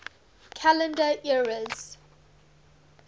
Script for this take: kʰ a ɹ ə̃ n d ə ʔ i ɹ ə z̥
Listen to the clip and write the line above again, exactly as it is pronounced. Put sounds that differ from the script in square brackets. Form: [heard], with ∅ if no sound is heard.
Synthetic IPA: kʰ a [l] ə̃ n d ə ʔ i ɹ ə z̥